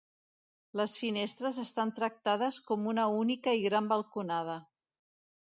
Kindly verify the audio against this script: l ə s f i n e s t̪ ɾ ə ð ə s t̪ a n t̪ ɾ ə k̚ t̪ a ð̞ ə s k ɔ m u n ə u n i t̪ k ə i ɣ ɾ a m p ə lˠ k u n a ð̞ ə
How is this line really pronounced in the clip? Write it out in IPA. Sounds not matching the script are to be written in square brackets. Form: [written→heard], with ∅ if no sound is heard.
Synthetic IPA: l ə s f i n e s t̪ ɾ ə [ð→z] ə s t̪ a n t̪ ɾ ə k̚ t̪ a ð̞ ə s k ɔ m u n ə u n i [t̪→∅] k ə i ɣ ɾ a m [p→b] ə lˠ k u n a ð̞ ə